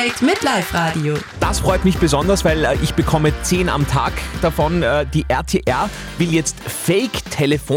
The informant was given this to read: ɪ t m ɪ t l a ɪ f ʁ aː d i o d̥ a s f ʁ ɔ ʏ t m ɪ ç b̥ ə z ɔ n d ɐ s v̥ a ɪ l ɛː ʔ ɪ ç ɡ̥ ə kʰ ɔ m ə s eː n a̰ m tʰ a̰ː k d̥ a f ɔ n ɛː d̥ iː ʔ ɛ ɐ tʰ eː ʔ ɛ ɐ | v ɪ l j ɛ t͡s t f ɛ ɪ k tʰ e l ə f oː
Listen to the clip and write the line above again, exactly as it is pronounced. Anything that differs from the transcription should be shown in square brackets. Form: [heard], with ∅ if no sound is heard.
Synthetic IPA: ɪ t m ɪ t l a ɪ f ʁ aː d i o d̥ a s f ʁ ɔ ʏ t m ɪ ç b̥ ə z ɔ n d ɐ s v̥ a ɪ l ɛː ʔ ɪ ç [b̥] ə kʰ ɔ m ə [t͡s] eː n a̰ m tʰ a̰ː k d̥ a f ɔ n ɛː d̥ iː ʔ ɛ ɐ tʰ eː ʔ ɛ ɐ | v ɪ l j ɛ t͡s t f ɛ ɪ k tʰ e l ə f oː